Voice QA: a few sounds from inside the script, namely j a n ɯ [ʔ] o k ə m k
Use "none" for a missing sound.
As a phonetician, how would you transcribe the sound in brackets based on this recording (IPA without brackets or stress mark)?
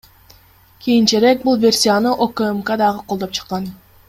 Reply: ʔ